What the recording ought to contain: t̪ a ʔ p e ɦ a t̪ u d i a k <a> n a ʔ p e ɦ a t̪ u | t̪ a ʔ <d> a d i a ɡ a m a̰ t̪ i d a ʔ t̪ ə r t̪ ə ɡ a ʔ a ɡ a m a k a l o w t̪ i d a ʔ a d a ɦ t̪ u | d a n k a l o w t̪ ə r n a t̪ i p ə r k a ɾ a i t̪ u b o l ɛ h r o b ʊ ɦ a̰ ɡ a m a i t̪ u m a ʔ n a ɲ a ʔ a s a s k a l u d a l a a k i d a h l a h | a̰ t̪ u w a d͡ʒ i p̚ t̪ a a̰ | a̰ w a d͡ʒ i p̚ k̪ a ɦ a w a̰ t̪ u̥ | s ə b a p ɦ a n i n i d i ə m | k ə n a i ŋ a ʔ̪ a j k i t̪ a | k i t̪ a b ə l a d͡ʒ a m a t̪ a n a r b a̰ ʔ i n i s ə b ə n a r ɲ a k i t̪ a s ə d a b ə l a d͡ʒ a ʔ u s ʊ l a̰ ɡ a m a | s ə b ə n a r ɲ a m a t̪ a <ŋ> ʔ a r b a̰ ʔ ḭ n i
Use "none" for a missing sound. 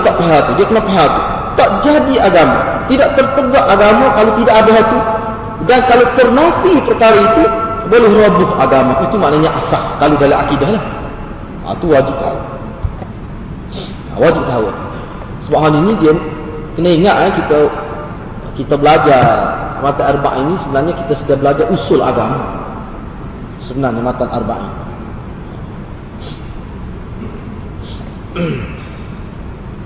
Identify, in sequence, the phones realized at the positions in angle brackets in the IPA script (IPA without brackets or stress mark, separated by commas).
ə, d͡ʒ, n